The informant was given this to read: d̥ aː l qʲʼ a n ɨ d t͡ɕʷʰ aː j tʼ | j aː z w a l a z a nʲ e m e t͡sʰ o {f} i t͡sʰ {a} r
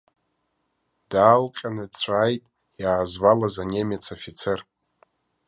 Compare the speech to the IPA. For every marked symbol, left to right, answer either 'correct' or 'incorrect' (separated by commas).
correct, incorrect